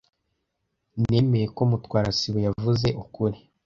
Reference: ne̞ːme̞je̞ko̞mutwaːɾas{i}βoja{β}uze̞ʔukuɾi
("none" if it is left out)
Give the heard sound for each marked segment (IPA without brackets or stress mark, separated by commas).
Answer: i, v